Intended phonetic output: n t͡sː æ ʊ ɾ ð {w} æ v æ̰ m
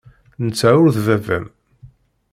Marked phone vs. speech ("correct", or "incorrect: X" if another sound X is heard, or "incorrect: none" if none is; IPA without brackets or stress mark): incorrect: v